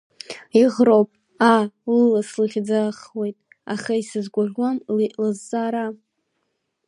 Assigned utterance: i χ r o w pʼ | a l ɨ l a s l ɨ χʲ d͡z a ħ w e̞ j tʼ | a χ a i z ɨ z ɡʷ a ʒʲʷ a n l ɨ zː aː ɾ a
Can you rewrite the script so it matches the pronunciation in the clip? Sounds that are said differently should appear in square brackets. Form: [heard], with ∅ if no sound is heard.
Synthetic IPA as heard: i [ʁ] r o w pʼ | a l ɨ l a s l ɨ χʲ d͡z a [χ] w e̞ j tʼ | a χ a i [s] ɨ z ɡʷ a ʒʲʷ a [m] l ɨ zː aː ɾ a